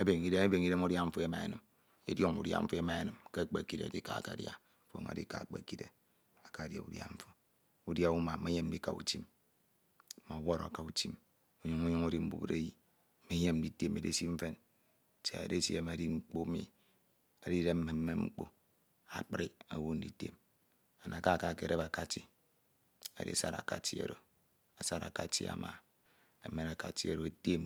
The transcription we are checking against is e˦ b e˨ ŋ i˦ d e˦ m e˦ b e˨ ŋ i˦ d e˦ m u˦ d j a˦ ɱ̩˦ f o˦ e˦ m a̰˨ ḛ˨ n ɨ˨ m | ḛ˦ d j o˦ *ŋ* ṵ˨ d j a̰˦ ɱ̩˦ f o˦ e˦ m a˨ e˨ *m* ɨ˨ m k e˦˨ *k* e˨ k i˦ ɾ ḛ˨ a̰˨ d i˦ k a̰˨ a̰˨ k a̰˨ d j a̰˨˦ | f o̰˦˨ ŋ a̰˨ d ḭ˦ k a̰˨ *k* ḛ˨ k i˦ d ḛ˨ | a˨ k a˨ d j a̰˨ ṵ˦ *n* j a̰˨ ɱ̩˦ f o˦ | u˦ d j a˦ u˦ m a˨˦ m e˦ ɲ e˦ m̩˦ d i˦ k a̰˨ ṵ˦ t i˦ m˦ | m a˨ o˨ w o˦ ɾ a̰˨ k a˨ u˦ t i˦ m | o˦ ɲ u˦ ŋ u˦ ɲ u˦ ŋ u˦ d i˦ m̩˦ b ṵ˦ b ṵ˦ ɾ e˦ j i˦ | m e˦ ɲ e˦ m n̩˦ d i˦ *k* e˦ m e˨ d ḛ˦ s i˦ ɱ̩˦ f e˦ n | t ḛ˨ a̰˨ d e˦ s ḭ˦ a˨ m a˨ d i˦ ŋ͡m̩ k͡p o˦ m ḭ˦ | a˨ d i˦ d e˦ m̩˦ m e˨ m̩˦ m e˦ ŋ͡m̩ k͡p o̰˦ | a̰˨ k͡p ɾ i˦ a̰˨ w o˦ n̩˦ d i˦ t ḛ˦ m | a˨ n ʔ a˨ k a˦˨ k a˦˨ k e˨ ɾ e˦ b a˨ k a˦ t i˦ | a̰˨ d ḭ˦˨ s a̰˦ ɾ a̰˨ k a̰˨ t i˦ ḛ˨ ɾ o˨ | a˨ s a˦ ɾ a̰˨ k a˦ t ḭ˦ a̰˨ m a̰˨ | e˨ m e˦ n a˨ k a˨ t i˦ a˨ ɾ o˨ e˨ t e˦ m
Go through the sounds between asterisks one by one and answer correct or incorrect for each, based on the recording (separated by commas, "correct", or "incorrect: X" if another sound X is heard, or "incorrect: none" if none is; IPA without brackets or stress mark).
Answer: correct, incorrect: n, incorrect: k͡p, incorrect: k͡p, incorrect: d, incorrect: t